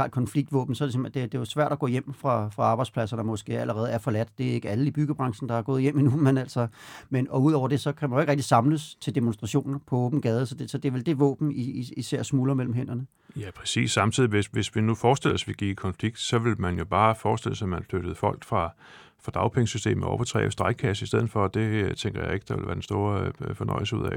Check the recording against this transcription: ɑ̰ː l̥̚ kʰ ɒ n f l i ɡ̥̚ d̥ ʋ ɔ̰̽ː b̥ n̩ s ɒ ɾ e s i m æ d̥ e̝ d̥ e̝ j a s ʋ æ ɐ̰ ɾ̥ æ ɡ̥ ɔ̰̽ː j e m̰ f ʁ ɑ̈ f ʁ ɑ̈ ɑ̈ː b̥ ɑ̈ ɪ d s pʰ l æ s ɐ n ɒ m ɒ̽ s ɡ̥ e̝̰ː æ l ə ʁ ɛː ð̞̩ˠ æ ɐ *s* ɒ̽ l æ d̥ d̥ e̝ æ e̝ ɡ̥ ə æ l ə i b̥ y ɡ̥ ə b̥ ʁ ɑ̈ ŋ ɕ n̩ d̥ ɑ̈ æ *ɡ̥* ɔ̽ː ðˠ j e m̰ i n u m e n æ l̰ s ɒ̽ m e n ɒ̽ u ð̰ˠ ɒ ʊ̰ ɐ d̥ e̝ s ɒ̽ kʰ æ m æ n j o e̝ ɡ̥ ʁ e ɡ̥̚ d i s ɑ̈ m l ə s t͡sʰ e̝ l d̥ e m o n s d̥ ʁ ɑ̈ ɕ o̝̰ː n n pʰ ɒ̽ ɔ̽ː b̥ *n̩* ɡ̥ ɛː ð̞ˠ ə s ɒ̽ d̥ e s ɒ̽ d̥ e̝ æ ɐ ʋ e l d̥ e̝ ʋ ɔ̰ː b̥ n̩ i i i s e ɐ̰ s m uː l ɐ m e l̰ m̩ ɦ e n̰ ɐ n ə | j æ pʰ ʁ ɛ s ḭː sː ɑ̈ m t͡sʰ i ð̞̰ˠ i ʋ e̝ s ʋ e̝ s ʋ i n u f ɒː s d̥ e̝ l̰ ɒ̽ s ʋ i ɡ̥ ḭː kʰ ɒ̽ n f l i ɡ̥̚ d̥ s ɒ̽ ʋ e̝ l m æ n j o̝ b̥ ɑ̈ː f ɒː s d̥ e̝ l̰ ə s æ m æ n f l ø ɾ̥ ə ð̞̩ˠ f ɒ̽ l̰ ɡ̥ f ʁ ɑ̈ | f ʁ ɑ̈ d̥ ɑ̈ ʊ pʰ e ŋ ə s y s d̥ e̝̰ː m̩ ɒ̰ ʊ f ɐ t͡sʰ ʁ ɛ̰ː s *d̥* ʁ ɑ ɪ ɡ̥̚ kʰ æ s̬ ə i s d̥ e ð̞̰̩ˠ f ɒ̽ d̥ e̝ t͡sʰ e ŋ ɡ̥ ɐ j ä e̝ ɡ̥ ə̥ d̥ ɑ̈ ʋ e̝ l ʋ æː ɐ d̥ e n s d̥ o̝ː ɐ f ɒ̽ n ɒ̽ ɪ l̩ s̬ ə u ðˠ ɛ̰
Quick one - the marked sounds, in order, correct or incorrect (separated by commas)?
incorrect, correct, correct, correct